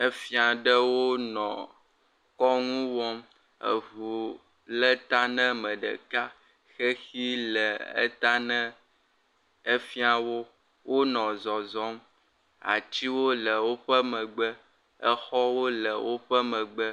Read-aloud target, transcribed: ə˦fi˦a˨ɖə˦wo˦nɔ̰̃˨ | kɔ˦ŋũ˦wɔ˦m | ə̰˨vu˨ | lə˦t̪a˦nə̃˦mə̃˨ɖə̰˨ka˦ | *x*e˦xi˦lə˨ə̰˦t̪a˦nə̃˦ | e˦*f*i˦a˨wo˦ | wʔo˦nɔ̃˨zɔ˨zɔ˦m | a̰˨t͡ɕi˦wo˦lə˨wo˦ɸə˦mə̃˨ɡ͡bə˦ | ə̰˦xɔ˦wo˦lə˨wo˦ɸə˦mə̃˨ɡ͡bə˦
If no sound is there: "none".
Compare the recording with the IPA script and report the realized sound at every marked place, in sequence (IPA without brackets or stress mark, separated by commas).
x, f